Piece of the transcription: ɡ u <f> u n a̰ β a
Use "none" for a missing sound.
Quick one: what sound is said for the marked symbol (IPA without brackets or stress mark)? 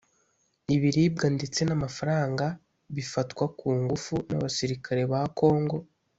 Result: f